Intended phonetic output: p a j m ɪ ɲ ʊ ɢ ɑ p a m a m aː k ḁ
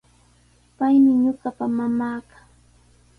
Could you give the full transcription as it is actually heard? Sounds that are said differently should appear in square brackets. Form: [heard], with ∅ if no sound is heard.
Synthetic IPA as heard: p a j m ɪ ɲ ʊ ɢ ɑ p a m a m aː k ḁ